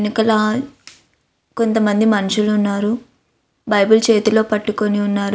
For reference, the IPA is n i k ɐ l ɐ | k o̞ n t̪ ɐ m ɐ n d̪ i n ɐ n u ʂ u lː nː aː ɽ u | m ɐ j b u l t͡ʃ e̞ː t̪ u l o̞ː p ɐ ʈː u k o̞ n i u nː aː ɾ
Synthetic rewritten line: n i k ɐ l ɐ | k o̞ n t̪ ɐ m ɐ n d̪ i m ɐ n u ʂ u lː nː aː ɾ u | b ɐ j b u l t͡ʃ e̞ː t̪ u l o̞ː p ɐ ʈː u k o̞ n i u nː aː ɾ